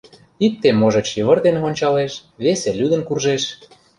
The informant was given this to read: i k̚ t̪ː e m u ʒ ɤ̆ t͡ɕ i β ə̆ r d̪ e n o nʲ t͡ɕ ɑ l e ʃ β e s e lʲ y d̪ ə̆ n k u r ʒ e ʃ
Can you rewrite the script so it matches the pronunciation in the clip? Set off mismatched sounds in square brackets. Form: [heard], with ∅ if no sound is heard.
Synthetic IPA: i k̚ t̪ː e m [o] ʒ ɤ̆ t͡ɕ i β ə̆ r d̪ e n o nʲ t͡ɕ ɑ l e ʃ β e s e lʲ y d̪ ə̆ n k u r ʒ e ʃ